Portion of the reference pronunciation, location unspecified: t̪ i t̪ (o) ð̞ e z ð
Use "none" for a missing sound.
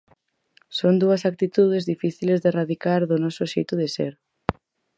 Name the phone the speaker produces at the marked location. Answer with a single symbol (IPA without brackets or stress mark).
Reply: u